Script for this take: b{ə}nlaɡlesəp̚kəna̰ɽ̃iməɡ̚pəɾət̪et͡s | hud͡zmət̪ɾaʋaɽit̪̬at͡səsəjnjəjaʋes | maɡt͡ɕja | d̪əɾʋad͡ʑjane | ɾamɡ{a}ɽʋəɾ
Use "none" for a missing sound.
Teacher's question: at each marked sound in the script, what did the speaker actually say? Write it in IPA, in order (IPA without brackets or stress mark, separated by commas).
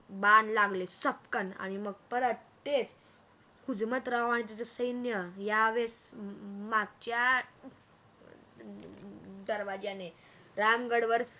a, ə